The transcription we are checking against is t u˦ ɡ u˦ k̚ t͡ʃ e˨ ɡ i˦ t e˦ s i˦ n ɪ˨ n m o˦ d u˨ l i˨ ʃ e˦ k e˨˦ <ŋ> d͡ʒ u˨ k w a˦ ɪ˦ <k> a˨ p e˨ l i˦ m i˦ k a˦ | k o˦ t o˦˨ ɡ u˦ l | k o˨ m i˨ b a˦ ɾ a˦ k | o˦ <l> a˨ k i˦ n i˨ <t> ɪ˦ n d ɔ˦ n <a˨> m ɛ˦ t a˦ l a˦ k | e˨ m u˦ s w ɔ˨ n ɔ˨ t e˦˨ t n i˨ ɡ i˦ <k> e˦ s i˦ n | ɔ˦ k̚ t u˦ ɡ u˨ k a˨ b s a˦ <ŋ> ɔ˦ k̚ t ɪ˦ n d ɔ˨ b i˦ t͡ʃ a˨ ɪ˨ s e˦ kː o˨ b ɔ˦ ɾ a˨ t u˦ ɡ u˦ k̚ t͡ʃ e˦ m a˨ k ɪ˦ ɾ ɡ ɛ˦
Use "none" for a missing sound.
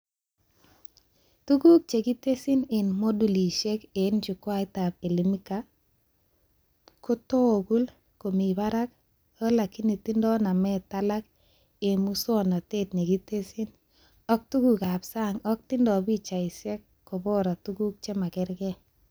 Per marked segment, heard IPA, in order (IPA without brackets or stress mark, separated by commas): n, t, l, t, a˨, t, ŋ